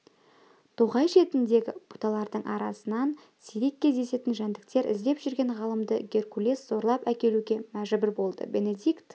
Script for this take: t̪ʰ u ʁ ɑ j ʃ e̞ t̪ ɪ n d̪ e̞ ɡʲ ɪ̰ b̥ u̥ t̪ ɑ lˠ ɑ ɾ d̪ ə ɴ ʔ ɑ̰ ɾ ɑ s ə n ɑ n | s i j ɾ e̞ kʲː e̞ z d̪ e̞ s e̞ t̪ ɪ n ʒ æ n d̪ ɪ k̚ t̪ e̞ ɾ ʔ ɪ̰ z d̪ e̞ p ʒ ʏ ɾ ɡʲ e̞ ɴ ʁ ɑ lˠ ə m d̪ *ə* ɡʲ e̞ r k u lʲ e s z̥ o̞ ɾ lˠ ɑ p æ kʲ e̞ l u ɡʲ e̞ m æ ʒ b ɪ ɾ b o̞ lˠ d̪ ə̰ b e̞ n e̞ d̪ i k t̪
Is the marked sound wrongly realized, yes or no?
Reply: no